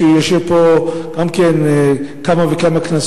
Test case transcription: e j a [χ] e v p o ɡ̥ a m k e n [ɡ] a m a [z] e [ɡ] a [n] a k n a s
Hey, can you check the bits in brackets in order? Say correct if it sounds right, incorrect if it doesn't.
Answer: incorrect: ʃ, incorrect: k, incorrect: v, incorrect: k, incorrect: m

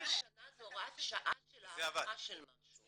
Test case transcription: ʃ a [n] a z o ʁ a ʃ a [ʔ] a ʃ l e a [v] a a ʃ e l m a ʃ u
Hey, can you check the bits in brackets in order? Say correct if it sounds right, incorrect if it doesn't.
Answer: correct, correct, correct

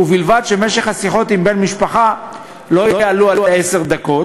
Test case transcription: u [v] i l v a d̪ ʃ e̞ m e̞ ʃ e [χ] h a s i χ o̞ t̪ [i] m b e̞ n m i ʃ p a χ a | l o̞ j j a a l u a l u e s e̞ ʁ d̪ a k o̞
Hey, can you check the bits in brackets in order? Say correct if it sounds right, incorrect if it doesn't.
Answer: correct, correct, correct

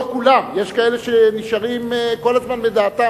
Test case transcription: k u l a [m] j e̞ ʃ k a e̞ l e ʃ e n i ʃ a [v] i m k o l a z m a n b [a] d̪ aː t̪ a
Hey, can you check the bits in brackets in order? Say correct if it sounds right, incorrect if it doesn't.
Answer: correct, incorrect: ʁ, incorrect: e

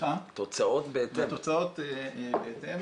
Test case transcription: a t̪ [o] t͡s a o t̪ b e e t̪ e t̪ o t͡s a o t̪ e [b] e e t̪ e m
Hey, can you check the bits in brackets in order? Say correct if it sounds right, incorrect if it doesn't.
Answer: correct, correct

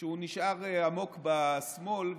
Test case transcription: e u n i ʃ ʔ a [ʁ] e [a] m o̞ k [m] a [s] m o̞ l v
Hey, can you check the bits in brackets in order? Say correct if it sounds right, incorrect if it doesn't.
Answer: correct, correct, incorrect: b, correct

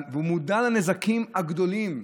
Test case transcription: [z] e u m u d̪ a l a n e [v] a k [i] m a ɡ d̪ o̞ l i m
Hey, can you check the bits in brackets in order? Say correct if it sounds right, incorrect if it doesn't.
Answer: incorrect: v, incorrect: z, correct

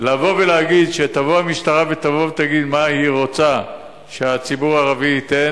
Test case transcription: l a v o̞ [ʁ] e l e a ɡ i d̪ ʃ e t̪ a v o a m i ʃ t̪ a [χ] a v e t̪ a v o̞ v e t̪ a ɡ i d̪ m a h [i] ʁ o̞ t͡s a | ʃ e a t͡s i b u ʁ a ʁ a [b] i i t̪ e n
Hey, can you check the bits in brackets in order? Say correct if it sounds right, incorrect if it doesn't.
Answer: incorrect: v, incorrect: ʁ, correct, incorrect: v

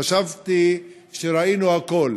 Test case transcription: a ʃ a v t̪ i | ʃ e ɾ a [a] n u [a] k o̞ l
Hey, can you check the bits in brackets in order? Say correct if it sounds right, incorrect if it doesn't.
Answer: incorrect: i, correct

